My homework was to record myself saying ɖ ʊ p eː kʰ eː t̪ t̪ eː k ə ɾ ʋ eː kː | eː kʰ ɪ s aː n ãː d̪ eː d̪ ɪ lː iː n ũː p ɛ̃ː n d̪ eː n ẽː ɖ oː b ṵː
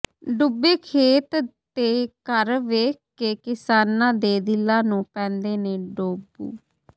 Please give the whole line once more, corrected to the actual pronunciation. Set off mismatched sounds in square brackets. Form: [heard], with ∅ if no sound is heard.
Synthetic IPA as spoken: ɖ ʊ [b] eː kʰ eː t̪ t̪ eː k ə ɾ ʋ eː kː | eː [k] ɪ s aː n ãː d̪ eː d̪ ɪ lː [aː] n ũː p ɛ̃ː n d̪ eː n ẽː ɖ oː b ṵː